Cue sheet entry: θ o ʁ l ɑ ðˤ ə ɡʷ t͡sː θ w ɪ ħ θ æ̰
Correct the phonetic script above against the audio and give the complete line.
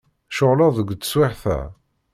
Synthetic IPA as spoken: ʃ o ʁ l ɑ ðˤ ə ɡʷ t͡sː s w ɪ ħ θ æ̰